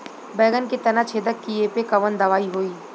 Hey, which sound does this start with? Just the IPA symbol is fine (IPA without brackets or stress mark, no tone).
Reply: b